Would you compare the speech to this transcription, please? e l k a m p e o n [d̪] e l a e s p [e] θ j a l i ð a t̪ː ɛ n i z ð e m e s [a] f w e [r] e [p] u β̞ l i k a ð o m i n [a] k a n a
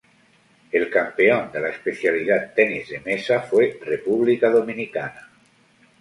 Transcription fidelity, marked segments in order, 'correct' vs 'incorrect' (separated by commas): correct, correct, correct, correct, correct, incorrect